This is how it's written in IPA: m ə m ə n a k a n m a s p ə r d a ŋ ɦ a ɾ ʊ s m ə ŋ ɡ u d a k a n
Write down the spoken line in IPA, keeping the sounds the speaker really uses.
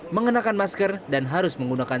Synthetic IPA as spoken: m ə ŋ ə n a k a n m a s k ə r d a n ɦ a ɾ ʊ s m ə ŋ ɡ u n a k a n